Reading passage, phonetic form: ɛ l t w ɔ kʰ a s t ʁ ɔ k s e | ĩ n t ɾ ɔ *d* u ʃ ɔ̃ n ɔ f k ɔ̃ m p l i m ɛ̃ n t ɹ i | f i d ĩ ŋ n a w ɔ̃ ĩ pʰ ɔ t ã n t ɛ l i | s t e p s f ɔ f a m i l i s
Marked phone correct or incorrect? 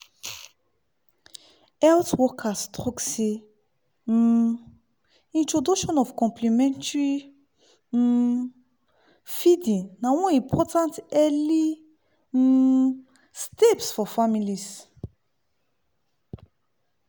correct